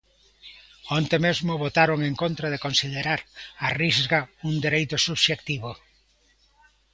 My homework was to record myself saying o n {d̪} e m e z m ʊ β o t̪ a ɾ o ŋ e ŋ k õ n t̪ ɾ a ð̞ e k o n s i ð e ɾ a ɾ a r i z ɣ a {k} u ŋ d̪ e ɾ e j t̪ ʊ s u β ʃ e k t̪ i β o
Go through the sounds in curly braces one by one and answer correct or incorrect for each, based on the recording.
incorrect: t̪, incorrect: none

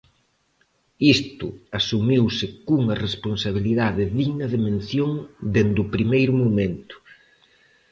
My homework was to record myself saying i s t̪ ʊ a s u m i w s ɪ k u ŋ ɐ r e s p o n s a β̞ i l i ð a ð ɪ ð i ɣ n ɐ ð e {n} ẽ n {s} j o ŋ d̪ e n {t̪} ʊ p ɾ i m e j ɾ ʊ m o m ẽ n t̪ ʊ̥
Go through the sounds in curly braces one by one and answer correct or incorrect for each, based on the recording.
incorrect: m, incorrect: θ, incorrect: d̪

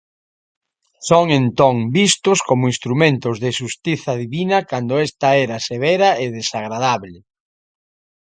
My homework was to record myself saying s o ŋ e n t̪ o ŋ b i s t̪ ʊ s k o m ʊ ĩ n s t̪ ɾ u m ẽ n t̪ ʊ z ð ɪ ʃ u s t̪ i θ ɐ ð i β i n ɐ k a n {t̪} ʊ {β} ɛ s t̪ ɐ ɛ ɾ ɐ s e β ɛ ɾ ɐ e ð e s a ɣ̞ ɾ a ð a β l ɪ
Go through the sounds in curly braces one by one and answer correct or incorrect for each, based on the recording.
incorrect: d̪, incorrect: none

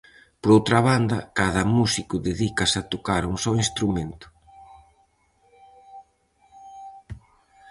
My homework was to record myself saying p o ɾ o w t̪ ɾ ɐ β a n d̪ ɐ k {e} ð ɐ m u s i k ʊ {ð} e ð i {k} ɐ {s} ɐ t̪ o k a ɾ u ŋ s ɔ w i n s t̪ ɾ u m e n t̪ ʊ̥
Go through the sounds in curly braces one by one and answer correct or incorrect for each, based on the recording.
incorrect: a, correct, correct, correct

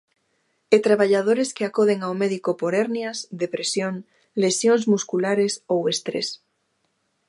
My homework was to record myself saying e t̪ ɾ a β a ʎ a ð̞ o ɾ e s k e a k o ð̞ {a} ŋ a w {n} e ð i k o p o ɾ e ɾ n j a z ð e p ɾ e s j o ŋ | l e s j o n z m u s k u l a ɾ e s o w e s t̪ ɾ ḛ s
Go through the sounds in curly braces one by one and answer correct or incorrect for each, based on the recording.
incorrect: e, incorrect: m

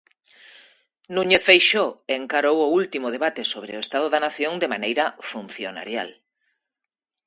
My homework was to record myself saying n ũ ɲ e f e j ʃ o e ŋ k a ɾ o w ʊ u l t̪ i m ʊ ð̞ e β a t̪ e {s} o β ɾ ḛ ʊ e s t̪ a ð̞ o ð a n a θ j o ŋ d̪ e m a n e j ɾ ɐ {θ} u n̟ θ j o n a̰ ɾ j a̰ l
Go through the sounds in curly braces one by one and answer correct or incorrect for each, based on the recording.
correct, incorrect: f

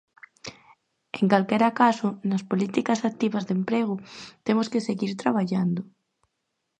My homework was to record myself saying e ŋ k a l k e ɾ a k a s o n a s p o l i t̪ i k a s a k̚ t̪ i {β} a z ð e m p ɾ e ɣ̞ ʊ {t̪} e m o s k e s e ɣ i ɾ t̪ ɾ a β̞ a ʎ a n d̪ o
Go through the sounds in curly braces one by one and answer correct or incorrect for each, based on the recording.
correct, correct

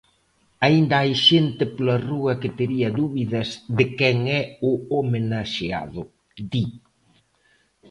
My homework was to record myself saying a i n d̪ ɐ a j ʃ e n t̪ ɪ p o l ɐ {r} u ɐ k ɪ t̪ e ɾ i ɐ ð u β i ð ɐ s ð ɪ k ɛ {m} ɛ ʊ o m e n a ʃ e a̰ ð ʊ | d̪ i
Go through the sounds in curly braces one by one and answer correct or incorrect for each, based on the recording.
correct, incorrect: ŋ

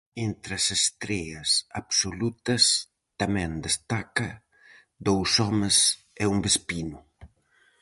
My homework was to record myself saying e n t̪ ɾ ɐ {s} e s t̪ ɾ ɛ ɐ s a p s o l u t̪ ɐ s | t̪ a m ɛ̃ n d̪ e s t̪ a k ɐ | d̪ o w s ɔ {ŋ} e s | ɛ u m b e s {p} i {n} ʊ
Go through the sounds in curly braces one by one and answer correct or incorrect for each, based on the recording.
correct, incorrect: m, correct, correct

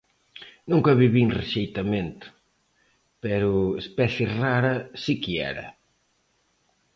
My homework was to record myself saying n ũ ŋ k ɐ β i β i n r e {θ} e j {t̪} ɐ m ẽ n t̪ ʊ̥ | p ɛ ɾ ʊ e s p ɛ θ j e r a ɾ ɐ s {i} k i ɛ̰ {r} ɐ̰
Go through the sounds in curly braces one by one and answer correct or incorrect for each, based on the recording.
incorrect: ʃ, correct, correct, incorrect: ɾ

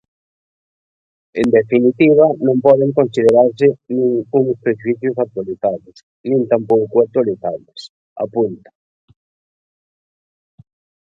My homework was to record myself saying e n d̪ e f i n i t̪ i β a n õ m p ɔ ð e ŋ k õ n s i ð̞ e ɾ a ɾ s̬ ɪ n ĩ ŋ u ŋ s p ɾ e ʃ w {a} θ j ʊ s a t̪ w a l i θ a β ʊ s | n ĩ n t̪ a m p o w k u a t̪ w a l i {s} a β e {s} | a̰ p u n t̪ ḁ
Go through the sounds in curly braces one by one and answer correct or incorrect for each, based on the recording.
incorrect: i, incorrect: θ, correct

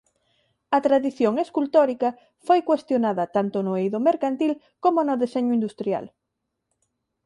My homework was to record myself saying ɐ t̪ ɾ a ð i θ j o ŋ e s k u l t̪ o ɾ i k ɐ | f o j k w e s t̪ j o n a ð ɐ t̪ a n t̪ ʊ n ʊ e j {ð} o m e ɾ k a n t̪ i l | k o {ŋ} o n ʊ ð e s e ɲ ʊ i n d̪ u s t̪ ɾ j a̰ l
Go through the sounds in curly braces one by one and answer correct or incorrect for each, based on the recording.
correct, incorrect: m

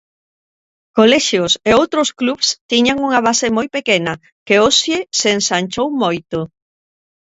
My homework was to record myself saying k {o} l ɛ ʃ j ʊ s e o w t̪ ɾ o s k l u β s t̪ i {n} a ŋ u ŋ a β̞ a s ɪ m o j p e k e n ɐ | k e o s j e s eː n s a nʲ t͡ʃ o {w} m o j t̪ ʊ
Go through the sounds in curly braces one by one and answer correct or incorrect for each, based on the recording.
correct, incorrect: ɲ, correct

